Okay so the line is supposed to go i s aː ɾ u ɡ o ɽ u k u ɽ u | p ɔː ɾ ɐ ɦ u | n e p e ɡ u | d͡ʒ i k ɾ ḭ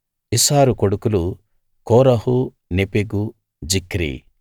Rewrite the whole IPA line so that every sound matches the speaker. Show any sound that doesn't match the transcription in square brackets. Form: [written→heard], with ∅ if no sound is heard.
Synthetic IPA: i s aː ɾ u [ɡ→k] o ɽ u k u [ɽ→l] u | [p→k] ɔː ɾ ɐ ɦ u | n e p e ɡ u | d͡ʒ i k ɾ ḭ

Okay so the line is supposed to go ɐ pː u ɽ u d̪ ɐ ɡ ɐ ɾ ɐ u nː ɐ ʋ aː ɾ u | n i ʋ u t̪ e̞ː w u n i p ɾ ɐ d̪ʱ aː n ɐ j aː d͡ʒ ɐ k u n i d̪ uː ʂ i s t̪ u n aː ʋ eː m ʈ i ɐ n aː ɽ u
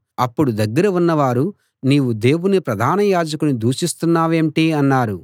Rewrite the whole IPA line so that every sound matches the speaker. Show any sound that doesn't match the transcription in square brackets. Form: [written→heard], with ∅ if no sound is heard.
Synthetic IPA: ɐ pː u ɽ u d̪ ɐ [ɡ→ɡː] ɐ ɾ ɐ u nː ɐ ʋ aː ɾ u | n [i→iː] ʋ u [t̪→d̪] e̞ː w u n i p ɾ ɐ d̪ʱ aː n ɐ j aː d͡ʒ ɐ k u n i d̪ uː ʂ i s t̪ u [n→nː] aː ʋ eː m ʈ i ɐ [n→nː] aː [ɽ→ɾ] u

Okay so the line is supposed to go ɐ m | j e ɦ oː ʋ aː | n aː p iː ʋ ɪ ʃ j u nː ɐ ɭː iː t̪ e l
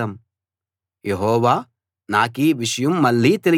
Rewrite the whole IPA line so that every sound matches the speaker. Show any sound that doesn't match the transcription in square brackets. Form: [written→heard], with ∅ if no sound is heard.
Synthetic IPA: ɐ m | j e ɦ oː ʋ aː | n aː [p→k] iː ʋ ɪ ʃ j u [nː→mː] ɐ [ɭː→lː] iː t̪ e l

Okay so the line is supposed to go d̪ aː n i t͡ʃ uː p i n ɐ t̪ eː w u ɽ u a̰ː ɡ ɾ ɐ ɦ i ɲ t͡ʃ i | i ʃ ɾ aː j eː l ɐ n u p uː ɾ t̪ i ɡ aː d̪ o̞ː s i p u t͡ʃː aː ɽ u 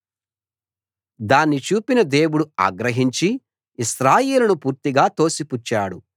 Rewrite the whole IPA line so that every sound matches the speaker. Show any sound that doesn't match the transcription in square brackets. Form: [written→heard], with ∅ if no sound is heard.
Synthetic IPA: d̪ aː [n→nː] i t͡ʃ uː p i n ɐ [t̪→d̪] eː w u ɽ u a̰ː ɡ ɾ ɐ ɦ i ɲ t͡ʃ i | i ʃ ɾ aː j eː l ɐ n u p uː ɾ t̪ i ɡ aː [d̪→t̪] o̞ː s i p u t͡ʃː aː ɽ u

